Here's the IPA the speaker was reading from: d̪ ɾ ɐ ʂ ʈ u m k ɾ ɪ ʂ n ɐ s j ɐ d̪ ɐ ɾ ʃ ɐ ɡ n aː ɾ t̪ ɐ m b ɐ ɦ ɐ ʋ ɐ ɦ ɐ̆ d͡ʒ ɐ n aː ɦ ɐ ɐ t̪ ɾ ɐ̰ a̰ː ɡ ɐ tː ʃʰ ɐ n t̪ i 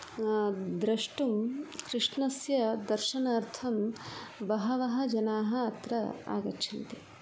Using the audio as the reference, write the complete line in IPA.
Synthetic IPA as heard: d̪ ɾ ɐ ʂ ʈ u m k ɾ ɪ ʂ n ɐ s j ɐ d̪ ɐ ɾ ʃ ɐ n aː ɾ t̪ʰ ɐ m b ɐ ɦ ɐ ʋ ɐ ɦ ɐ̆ d͡ʒ ɐ n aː ɦ ɐ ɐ t̪ ɾ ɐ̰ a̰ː ɡ ɐ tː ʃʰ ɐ n t̪ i